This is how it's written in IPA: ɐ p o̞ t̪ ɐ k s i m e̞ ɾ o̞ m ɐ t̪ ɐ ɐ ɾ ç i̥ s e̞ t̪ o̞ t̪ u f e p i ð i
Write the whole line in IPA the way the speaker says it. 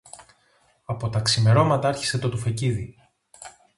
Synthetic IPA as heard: ɐ p o̞ t̪ ɐ k s i m e̞ ɾ o̞ m ɐ t̪ ɐ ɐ ɾ ç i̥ s e̞ t̪ o̞ t̪ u f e c i ð i